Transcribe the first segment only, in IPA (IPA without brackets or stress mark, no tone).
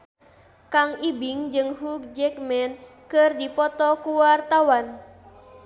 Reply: k